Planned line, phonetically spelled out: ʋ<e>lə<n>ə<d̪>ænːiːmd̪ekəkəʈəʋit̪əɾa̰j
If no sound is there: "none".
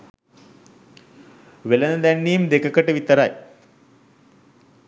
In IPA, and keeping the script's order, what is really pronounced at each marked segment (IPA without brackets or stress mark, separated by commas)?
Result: e, n, d̪